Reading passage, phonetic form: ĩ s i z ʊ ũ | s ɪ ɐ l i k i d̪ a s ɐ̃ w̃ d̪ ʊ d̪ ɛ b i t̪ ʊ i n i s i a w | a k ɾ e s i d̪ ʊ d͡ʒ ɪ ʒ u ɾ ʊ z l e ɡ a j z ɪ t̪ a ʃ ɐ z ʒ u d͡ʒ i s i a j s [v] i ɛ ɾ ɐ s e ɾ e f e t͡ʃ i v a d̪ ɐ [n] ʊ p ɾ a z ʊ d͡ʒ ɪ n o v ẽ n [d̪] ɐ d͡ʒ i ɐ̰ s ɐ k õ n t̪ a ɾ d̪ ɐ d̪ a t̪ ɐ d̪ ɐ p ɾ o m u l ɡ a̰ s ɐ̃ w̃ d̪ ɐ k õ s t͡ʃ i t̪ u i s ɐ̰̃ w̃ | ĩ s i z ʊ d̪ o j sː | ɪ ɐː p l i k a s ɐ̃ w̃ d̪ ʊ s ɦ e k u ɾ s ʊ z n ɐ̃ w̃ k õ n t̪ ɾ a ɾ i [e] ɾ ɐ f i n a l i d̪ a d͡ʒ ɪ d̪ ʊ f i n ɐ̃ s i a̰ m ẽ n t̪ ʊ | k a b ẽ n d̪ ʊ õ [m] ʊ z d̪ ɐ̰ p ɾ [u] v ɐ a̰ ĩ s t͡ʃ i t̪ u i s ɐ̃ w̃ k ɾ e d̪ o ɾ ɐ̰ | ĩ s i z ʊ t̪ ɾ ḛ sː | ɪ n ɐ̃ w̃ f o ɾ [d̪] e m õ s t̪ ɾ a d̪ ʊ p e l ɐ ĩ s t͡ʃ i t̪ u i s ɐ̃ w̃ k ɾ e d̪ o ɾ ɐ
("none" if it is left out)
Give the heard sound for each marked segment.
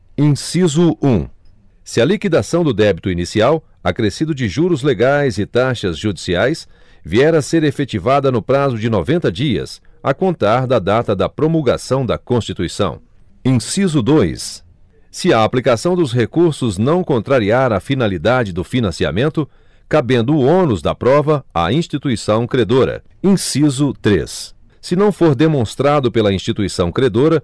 v, n, t̪, a, n, ɔ, d̪

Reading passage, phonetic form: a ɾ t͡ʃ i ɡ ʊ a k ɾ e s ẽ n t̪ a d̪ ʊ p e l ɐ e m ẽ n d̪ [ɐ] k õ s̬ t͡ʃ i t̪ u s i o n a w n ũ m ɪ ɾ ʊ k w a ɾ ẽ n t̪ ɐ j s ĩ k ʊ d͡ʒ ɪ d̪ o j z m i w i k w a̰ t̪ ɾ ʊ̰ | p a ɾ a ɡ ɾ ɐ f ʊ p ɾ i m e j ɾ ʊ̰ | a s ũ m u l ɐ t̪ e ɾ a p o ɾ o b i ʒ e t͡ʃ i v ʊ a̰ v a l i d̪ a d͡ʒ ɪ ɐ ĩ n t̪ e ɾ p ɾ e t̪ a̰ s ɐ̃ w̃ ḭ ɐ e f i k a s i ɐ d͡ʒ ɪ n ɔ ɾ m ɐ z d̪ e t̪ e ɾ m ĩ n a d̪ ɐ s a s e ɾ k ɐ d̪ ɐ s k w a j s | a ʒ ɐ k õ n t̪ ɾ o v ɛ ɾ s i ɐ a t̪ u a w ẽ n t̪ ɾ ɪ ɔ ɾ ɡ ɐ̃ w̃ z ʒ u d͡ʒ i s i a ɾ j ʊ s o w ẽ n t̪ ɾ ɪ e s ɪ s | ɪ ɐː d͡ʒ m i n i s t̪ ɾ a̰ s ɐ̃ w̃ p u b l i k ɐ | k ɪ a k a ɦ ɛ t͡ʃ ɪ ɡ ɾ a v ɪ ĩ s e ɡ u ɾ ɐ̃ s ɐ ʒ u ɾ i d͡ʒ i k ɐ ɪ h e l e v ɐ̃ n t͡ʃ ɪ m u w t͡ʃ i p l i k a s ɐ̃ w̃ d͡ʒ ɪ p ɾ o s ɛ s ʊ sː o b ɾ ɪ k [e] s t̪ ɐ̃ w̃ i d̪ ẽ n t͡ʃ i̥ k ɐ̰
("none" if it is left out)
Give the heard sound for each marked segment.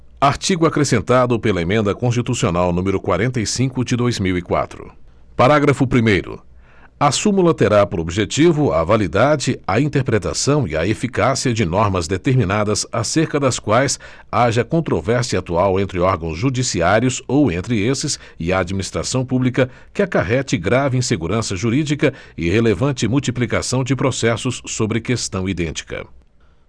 ɐ, e

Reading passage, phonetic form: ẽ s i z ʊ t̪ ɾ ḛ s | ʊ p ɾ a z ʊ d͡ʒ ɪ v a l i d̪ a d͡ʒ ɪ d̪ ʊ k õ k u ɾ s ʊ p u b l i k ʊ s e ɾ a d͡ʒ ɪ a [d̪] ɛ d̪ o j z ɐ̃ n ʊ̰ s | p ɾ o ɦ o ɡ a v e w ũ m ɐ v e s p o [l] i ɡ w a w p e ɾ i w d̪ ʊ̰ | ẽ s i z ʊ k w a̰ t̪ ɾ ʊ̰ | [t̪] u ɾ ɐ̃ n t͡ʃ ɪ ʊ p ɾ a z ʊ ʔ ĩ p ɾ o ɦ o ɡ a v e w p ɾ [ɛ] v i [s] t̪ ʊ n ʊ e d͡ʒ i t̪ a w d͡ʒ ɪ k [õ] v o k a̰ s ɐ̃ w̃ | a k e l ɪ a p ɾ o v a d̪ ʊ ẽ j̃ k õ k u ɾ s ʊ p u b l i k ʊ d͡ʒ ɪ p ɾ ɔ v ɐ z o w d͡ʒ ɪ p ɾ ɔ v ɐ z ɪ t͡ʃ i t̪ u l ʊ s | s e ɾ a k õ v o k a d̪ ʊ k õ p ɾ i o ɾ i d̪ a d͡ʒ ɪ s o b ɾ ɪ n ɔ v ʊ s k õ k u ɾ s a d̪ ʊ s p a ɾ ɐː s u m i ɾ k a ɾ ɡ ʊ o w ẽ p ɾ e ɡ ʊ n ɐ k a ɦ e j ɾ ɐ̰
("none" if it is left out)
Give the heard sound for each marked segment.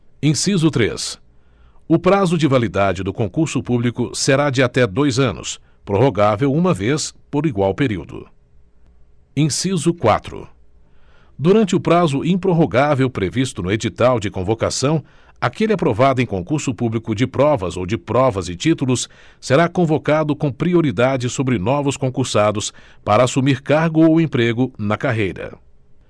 t̪, ɾ, d̪, e, s, õ

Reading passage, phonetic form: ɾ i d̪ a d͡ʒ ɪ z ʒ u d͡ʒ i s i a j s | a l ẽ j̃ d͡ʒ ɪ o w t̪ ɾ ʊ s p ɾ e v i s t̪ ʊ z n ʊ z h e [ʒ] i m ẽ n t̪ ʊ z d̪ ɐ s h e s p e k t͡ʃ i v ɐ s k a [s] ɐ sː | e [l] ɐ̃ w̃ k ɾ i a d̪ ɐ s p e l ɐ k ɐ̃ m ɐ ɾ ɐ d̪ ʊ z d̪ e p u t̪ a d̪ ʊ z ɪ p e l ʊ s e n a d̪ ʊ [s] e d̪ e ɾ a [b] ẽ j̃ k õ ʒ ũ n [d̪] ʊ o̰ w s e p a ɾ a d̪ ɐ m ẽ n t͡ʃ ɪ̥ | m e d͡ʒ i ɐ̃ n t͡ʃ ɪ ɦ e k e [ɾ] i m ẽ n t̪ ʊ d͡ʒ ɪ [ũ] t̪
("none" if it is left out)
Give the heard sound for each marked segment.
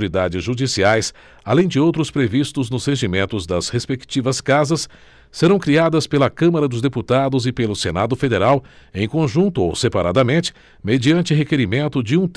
ʒ, z, ɾ, f, w, t̪, ɾ, ũ

